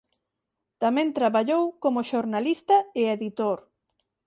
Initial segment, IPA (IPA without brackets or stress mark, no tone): t̪